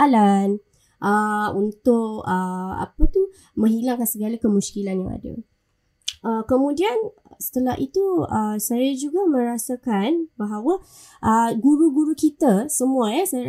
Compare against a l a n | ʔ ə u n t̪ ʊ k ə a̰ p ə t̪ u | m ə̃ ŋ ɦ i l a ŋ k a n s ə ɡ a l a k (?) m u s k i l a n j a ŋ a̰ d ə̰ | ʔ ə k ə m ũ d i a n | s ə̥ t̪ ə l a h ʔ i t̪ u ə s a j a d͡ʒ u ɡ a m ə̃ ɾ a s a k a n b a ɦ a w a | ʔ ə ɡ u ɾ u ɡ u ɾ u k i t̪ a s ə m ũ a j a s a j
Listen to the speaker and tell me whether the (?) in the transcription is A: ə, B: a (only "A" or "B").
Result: A